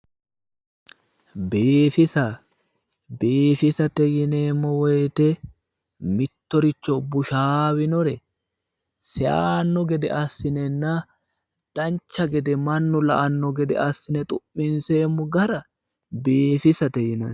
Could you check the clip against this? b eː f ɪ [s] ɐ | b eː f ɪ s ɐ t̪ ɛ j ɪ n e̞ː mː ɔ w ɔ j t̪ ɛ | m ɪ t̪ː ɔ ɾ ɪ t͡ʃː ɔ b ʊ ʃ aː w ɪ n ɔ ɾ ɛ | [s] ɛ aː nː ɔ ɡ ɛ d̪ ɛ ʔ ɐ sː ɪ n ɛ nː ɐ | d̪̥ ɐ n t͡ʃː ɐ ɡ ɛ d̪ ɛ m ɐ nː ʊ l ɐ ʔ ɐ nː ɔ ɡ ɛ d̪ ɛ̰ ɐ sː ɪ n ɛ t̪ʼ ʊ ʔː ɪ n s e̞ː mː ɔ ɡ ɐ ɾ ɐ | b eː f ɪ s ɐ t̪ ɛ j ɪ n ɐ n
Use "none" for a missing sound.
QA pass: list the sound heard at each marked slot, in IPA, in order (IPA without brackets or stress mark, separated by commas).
s, s